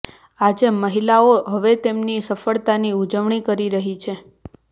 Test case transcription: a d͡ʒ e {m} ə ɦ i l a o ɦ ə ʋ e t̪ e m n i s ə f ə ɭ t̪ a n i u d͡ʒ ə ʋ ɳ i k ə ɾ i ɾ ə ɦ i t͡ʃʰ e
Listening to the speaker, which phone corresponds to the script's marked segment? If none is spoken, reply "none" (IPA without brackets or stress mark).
m